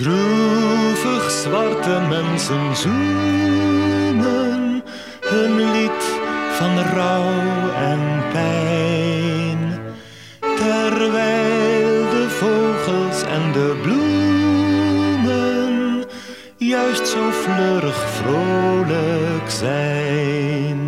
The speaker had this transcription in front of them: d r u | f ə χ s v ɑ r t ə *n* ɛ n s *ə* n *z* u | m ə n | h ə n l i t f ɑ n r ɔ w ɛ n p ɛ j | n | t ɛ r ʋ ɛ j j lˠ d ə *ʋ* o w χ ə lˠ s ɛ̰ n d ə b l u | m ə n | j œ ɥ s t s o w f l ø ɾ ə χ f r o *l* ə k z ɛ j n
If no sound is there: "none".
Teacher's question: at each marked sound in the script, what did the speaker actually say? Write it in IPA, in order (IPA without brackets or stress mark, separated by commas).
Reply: m, ə, z, v, l